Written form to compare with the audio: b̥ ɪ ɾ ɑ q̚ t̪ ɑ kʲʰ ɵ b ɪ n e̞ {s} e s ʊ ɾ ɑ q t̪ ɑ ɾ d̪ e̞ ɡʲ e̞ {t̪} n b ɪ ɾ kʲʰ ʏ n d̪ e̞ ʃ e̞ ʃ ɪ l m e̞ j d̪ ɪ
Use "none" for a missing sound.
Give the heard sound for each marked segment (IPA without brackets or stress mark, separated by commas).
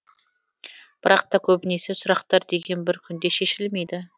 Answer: s, none